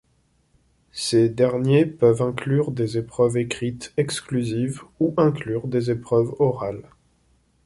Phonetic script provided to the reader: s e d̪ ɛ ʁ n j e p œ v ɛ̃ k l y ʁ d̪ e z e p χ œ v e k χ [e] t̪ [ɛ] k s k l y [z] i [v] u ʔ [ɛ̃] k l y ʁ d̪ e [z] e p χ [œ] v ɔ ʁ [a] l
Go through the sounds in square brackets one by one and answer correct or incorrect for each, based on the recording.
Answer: incorrect, correct, correct, correct, correct, correct, correct, correct

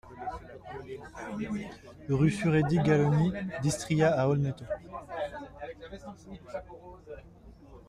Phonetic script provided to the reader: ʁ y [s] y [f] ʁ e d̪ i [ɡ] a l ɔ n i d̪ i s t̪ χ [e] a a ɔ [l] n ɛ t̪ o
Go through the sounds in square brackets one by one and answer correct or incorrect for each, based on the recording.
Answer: incorrect, incorrect, correct, incorrect, correct

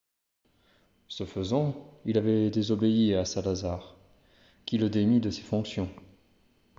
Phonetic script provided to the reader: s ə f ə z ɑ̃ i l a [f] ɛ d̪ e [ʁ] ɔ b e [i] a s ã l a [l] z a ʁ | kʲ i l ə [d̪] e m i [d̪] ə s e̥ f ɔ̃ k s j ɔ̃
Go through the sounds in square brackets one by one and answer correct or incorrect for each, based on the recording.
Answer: incorrect, incorrect, correct, incorrect, correct, correct

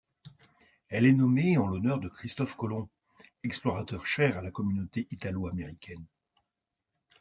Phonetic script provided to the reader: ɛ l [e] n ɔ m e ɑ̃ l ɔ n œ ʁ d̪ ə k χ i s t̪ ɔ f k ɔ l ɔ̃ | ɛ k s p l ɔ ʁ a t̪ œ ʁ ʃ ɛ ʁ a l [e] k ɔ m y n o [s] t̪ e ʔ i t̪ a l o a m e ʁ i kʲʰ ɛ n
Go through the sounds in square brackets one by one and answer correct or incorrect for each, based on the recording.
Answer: incorrect, incorrect, incorrect

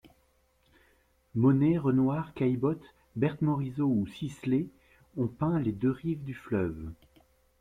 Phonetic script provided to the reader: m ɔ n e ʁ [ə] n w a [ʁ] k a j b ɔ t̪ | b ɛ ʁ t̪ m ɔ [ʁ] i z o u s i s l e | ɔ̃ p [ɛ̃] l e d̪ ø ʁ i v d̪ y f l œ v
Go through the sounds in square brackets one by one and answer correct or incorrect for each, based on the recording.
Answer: correct, correct, correct, correct

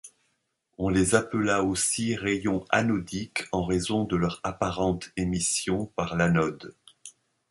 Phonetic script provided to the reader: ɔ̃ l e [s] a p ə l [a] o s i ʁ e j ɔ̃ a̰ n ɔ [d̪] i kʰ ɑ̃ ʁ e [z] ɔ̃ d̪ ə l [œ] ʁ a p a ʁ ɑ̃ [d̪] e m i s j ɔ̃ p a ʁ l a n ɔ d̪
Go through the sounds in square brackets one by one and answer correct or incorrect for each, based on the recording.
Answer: incorrect, correct, correct, correct, correct, incorrect

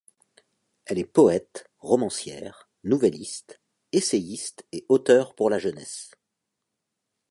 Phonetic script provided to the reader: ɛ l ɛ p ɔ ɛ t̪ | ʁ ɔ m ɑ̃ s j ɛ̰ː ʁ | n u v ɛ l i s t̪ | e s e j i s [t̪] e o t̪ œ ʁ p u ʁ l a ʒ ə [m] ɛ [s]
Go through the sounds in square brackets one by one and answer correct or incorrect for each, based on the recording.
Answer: correct, incorrect, correct

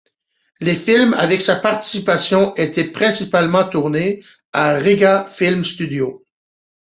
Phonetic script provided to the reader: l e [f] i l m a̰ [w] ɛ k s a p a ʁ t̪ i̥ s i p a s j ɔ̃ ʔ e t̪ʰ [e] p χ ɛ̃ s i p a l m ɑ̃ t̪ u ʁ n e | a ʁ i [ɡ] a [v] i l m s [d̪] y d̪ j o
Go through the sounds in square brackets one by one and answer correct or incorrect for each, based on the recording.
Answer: correct, incorrect, incorrect, correct, incorrect, incorrect

